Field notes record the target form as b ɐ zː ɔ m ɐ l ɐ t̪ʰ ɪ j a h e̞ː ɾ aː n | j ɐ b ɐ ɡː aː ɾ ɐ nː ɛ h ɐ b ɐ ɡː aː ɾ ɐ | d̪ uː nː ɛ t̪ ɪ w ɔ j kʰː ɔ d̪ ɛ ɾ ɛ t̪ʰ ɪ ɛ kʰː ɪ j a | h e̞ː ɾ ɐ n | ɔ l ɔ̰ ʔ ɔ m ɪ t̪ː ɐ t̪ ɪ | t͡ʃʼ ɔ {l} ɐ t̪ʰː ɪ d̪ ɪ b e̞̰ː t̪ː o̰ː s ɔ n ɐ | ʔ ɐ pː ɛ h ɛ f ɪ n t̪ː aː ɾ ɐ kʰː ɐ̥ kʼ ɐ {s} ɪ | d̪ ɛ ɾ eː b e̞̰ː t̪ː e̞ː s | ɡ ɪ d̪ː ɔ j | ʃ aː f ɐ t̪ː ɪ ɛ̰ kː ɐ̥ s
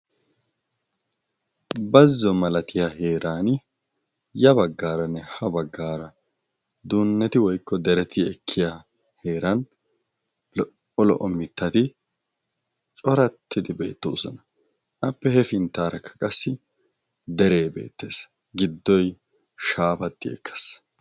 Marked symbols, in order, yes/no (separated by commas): no, no